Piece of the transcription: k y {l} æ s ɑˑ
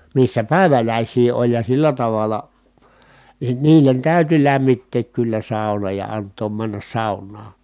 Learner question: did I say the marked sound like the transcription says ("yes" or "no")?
no